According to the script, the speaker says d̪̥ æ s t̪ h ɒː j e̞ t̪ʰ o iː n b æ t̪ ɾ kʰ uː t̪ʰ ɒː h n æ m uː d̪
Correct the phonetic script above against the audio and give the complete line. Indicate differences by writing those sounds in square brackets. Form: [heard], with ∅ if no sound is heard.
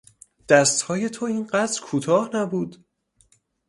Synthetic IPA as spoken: d̪̥ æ s t̪ h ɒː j e̞ t̪ʰ o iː n [ɢ] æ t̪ ɾ kʰ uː t̪ʰ ɒː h n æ [b] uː d̪